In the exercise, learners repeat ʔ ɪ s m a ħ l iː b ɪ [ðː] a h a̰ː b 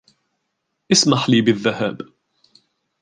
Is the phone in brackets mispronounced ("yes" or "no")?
no